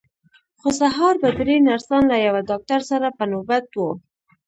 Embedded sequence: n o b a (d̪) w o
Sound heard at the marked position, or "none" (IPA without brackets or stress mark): t̪